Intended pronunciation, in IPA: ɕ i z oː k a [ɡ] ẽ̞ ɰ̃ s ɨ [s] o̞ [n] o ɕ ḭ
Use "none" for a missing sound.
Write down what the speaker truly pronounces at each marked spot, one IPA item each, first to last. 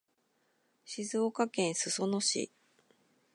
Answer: k, s, n

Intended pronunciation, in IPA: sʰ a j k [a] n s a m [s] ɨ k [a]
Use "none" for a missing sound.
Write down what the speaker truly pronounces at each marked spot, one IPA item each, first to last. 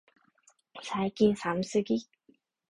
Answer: i, s, i

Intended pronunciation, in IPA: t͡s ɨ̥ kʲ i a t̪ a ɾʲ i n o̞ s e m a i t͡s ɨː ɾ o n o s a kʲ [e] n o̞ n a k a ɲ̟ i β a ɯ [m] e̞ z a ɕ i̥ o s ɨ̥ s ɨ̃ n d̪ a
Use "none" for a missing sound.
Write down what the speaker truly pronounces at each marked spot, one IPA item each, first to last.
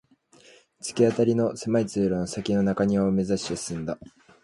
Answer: i, m

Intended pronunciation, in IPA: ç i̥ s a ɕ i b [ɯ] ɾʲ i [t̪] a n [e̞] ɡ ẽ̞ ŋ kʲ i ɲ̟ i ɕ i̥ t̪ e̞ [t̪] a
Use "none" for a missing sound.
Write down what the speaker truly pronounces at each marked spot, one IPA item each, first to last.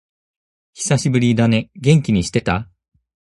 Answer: ɯ, d̪, e̞, t̪

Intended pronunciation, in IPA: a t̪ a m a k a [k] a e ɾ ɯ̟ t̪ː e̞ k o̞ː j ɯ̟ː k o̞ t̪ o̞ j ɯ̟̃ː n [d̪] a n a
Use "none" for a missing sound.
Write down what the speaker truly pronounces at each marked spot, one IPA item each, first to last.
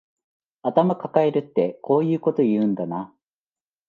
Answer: k, d̪

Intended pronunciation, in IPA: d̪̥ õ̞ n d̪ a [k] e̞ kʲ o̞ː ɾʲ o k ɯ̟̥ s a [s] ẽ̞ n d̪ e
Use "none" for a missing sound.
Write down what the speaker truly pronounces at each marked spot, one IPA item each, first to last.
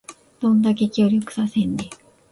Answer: k, s

